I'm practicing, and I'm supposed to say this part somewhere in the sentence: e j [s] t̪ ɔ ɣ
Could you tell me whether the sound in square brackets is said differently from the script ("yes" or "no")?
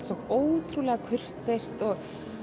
no